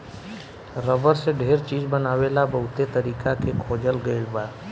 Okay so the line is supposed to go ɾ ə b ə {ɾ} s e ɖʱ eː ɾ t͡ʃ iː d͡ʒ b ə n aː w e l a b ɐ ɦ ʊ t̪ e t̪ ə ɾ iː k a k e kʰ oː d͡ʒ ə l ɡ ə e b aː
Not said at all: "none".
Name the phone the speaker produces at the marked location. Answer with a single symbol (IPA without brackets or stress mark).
ɾ